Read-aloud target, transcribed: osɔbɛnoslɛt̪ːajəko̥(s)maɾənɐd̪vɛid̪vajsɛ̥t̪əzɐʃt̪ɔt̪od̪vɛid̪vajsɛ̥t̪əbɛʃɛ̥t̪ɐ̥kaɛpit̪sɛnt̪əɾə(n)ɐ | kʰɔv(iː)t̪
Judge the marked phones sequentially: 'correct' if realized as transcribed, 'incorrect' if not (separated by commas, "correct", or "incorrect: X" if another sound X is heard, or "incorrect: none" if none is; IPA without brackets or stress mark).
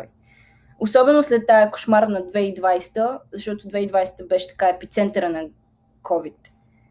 incorrect: ʃ, correct, incorrect: i